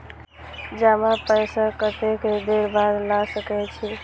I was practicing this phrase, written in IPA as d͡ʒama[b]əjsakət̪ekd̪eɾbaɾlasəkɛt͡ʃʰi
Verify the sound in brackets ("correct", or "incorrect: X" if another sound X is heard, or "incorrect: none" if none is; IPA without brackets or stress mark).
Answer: incorrect: p